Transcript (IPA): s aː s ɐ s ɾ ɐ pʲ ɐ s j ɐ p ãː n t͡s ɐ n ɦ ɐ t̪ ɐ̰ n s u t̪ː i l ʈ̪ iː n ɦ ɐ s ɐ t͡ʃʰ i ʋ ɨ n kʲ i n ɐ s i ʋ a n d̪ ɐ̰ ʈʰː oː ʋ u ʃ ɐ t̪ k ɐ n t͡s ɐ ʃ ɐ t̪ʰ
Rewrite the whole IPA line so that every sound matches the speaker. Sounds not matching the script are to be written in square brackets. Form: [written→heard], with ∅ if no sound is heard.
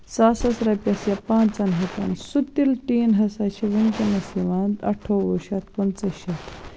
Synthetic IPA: s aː s ɐ s ɾ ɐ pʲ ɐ s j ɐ p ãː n t͡s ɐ n ɦ ɐ t̪ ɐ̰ n s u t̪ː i l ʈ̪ iː n ɦ ɐ s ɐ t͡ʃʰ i ʋ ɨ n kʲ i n ɐ s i ʋ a n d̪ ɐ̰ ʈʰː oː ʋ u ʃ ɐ t̪ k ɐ n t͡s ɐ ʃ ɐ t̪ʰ

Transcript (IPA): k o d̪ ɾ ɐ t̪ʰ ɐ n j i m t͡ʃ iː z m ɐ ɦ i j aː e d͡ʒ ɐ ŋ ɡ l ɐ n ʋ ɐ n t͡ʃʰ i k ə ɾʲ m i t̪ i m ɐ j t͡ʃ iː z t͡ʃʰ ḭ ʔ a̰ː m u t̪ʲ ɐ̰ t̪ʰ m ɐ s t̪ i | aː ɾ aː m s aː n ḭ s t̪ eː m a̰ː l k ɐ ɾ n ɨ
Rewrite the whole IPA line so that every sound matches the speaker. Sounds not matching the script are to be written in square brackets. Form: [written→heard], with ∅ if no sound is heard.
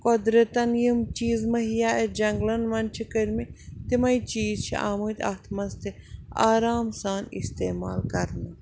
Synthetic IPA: k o d̪ ɾ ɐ [t̪ʰ→t̪] ɐ n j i m t͡ʃ iː z m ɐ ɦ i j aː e d͡ʒ ɐ ŋ ɡ l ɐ n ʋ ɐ n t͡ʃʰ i k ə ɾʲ m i t̪ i m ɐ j t͡ʃ iː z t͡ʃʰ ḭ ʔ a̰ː m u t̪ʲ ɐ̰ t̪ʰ m ɐ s t̪ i | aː ɾ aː m s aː n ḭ s t̪ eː m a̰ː l k ɐ ɾ n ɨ

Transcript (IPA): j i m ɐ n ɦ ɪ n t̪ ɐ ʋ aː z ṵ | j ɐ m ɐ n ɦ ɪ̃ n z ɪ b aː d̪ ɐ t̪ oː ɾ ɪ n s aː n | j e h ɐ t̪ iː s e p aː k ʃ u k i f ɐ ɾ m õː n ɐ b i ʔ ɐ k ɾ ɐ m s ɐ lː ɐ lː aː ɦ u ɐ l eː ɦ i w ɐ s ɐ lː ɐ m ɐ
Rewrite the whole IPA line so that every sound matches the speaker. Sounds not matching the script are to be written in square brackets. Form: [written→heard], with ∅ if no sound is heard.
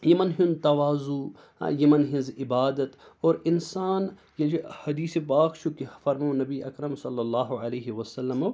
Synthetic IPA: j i m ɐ n ɦ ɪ n t̪ ɐ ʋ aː z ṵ | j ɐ m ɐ n ɦ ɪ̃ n z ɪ b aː d̪ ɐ t̪ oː ɾ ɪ n s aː n | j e h ɐ [t̪→d̪] iː s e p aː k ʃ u k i f ɐ ɾ m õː n ɐ b i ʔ ɐ k ɾ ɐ m s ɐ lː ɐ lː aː ɦ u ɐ l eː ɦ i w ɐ s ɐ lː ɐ m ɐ

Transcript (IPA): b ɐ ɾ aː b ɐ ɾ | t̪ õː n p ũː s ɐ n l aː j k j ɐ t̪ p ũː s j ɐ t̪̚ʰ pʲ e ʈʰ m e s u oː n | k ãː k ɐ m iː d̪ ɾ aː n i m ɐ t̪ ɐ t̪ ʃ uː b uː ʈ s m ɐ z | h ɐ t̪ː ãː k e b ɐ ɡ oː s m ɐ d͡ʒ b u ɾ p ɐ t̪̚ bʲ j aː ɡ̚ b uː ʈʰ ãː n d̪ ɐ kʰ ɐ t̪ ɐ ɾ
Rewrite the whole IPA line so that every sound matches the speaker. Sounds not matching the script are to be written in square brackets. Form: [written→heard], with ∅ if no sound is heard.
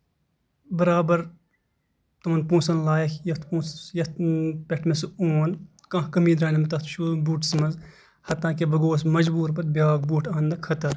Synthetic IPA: b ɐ ɾ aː b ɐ ɾ | t̪ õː n p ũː s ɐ n l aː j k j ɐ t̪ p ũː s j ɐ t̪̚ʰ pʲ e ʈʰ m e s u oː n | k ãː k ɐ m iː d̪ ɾ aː n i m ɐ t̪ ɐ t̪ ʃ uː b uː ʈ s m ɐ z | h ɐ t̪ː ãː k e b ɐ ɡ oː s m ɐ d͡ʒ b [u→uː] ɾ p ɐ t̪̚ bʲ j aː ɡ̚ b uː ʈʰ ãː n d̪ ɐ kʰ ɐ t̪ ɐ ɾ

